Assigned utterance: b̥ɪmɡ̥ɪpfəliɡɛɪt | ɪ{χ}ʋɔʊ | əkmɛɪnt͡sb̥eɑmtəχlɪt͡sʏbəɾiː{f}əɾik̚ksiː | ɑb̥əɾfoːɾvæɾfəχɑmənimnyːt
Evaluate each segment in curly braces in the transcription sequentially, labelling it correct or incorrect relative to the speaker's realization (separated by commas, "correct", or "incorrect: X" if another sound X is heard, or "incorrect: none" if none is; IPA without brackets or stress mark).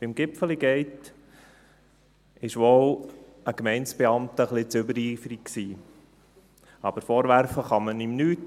incorrect: ʃ, correct